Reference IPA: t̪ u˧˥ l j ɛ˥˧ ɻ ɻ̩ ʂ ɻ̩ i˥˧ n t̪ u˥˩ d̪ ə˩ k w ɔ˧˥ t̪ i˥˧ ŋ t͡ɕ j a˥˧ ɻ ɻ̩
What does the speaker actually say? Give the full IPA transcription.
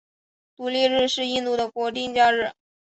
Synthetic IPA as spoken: t̪ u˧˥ l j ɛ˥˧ ɻ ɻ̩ ʂ ɻ̩ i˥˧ n t̪ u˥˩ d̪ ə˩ k w ɔ˧˥ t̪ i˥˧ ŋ t͡ɕ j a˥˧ ɻ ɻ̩